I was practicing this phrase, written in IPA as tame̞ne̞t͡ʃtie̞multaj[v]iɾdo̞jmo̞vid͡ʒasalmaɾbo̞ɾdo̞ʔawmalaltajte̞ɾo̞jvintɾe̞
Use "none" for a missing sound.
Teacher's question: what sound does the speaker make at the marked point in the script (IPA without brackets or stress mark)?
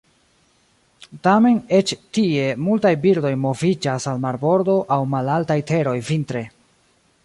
b